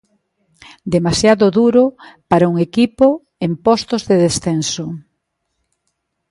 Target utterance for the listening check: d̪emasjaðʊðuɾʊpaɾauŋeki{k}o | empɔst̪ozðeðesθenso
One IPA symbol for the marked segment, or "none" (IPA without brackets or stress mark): p